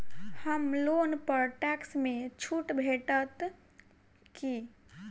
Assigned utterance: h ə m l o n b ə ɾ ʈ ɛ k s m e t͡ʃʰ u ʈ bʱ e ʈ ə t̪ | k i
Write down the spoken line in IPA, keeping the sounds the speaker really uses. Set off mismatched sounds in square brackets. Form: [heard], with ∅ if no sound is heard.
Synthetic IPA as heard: h ə m l o n [p] ə ɾ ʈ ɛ k s m e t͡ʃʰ u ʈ bʱ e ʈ ə t̪ | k i